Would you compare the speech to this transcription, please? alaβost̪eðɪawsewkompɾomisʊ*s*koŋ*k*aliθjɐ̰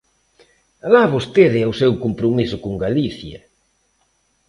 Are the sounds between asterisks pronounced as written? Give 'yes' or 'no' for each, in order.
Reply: no, no

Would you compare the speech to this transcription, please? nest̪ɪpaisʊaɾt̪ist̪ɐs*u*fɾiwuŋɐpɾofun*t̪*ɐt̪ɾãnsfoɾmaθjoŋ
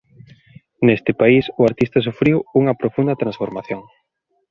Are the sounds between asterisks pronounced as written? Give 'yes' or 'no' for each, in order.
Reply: yes, no

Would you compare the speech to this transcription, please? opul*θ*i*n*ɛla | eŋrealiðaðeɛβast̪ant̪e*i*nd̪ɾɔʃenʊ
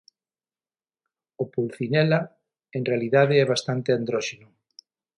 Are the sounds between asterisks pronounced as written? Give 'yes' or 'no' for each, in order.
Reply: yes, yes, no

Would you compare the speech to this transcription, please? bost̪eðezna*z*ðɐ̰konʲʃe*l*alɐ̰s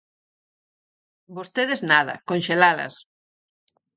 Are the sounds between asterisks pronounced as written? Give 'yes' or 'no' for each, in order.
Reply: no, yes

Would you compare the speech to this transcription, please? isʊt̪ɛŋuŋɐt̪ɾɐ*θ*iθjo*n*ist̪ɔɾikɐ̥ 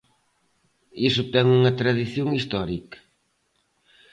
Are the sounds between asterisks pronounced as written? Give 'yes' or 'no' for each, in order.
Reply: no, no

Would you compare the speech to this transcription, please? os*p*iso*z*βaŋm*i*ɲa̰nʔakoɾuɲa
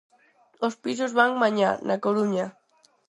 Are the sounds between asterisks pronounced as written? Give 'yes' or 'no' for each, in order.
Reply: yes, yes, no

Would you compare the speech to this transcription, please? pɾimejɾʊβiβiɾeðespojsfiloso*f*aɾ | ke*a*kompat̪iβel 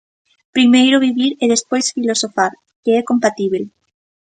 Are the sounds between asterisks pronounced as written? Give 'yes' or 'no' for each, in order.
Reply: yes, no

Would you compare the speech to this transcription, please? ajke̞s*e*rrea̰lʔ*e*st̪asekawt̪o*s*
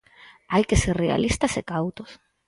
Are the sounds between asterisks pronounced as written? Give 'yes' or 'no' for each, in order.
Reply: yes, no, yes

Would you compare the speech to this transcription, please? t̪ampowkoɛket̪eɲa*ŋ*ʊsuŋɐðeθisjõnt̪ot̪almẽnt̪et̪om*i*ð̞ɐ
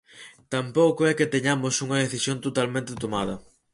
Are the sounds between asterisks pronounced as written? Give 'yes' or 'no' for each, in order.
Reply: no, no

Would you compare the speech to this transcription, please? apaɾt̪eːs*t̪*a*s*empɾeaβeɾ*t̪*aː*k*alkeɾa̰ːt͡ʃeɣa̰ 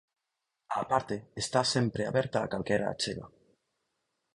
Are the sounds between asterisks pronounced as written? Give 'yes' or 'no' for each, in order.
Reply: yes, yes, yes, yes

